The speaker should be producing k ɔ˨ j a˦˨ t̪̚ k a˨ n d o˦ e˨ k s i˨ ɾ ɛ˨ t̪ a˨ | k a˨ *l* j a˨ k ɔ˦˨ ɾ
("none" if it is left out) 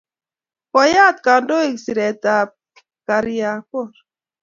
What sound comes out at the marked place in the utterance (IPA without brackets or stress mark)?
ɾ